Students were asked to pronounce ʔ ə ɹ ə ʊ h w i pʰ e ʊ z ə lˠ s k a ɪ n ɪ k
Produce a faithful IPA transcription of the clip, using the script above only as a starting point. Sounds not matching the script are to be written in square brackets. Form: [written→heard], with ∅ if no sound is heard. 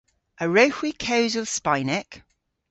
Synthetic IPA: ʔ ə ɹ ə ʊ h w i [pʰ→kʰ] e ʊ z ə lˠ s [k→p] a ɪ n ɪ k